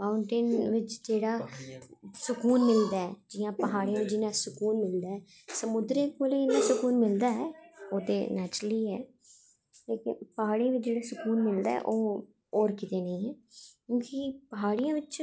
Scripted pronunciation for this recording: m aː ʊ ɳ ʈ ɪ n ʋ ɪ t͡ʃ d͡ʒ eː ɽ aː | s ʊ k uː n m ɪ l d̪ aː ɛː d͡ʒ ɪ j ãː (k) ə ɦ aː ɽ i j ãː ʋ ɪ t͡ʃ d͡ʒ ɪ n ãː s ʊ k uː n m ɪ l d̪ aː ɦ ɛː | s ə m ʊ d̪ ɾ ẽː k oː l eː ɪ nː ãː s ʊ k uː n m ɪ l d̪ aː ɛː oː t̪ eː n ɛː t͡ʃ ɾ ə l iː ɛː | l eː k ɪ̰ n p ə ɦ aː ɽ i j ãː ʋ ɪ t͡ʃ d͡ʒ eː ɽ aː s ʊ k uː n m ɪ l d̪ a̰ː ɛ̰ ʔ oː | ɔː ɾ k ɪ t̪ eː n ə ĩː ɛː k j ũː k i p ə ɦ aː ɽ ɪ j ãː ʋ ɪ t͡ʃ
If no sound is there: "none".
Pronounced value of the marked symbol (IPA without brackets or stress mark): p